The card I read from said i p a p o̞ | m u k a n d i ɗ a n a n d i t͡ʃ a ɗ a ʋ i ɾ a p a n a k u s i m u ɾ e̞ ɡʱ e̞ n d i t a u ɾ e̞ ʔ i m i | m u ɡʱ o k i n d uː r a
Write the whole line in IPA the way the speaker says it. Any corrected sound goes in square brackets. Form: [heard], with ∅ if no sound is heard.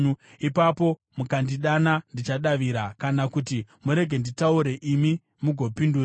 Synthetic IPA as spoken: i p a p o̞ | m u k a n d i ɗ a n a n d i t͡ʃ a ɗ a ʋ i ɾ a [k] a n a k u [t] i m u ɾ e̞ ɡʱ e̞ n d i t a u ɾ e̞ ʔ i m i | m u ɡʱ o [p] i n d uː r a